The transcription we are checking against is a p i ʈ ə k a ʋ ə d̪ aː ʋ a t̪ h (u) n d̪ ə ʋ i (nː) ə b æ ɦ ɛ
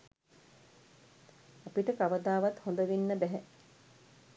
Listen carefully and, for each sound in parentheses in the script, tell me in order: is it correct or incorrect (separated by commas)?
incorrect, correct